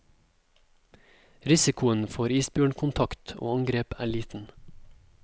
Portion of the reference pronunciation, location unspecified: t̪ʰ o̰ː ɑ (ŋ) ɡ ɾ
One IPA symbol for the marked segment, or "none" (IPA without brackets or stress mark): ŋ